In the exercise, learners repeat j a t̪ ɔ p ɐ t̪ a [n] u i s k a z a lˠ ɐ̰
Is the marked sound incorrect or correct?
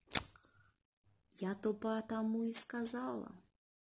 incorrect